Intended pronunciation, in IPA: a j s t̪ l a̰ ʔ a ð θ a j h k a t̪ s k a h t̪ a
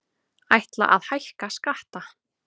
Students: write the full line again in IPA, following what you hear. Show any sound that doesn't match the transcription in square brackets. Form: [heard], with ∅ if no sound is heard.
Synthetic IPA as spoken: a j [h] t̪ l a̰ ʔ a ð [h] a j h k a [∅] s k a h t̪ a